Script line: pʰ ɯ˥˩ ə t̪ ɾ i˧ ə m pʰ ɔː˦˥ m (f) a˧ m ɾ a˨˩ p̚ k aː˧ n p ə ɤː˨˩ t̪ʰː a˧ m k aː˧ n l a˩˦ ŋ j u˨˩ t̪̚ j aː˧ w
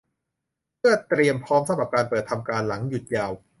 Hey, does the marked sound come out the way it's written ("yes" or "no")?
no